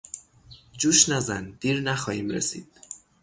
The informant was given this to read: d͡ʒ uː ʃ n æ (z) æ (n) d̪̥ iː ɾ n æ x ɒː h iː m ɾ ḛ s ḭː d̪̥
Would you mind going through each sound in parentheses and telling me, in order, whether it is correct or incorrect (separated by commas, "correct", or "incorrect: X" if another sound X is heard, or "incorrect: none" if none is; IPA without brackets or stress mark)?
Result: correct, correct